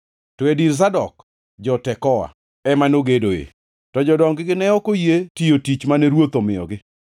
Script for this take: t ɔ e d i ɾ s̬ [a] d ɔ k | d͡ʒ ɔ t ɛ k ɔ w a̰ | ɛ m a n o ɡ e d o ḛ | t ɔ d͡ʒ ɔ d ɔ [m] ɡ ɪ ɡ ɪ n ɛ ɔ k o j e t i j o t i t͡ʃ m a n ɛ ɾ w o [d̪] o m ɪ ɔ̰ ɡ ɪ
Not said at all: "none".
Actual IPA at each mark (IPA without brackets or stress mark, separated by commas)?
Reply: a, ŋ, t̪